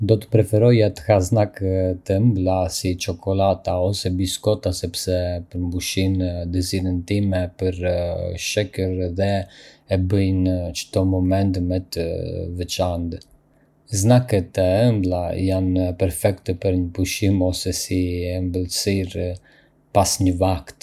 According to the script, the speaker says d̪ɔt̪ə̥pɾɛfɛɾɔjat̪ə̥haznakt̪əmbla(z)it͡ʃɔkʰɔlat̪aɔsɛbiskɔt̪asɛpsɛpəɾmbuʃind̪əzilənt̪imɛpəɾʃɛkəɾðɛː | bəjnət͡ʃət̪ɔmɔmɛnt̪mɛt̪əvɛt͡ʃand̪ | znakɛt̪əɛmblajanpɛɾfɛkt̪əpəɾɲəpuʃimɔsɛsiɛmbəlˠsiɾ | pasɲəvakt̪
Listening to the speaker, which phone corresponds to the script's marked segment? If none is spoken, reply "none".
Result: s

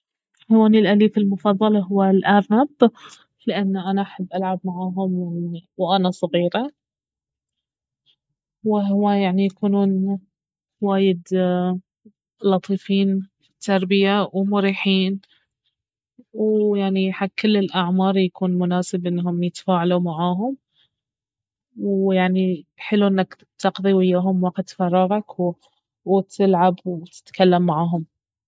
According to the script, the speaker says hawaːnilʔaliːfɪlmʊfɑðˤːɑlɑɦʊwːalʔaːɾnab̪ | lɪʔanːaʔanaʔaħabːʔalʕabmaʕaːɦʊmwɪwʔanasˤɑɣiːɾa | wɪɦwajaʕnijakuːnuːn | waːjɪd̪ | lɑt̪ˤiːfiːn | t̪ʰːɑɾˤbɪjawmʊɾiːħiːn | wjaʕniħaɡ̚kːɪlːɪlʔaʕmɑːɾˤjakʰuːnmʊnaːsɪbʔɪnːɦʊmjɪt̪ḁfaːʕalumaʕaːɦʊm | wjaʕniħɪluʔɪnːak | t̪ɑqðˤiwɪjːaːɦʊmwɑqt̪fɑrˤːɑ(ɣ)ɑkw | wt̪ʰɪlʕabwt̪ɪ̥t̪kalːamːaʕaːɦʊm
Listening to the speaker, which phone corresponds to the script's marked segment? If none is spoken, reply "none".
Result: ɣ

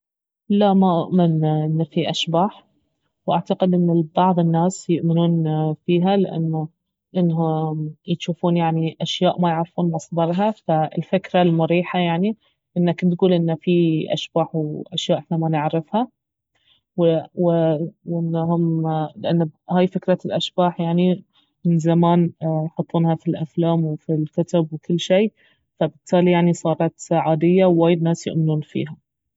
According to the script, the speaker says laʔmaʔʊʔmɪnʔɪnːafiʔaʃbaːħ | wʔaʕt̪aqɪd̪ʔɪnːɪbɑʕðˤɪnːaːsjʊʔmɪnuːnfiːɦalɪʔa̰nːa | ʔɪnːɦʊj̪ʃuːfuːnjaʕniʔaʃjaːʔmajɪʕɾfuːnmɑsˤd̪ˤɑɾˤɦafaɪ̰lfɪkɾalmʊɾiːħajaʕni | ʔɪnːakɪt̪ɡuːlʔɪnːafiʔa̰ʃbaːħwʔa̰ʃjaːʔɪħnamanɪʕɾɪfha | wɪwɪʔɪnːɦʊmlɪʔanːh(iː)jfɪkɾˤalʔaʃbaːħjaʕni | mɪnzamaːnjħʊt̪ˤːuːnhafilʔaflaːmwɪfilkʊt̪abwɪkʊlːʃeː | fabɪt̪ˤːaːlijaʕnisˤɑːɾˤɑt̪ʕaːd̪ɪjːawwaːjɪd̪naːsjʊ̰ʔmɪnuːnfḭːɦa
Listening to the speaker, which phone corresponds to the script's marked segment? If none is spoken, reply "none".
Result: aː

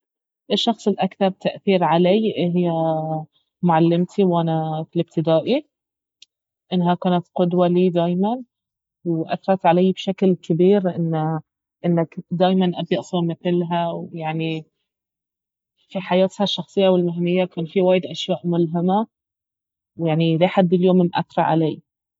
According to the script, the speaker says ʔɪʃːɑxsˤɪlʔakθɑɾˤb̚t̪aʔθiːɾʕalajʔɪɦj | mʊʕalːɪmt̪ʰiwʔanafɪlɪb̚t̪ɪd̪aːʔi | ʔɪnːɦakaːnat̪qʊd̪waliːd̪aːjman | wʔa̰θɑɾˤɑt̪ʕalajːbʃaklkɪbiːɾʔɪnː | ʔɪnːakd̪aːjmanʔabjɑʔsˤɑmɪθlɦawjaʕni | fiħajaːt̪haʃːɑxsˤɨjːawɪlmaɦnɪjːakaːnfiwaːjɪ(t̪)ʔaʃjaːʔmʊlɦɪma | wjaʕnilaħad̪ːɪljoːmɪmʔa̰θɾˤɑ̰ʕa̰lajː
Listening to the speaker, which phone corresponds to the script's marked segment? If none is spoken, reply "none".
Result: d̪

